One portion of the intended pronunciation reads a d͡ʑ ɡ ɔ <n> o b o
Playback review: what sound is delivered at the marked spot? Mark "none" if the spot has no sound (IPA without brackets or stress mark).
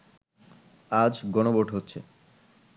n